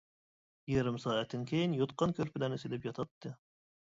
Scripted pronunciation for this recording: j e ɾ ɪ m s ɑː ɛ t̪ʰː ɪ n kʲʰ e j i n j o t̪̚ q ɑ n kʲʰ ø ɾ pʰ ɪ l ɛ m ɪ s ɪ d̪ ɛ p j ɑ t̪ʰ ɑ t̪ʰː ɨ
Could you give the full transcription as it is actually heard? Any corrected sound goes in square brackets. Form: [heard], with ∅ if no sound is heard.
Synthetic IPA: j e ɾ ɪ m s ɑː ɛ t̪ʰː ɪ n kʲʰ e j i n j o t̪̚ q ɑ n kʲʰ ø ɾ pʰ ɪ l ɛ [n] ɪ s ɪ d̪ ɛ p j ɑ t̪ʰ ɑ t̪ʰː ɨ